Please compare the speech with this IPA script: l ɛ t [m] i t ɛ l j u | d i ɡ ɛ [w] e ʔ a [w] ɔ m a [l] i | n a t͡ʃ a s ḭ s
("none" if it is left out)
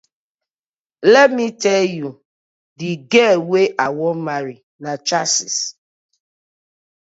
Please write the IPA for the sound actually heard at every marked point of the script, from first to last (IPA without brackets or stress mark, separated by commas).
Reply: m, w, w, ɾ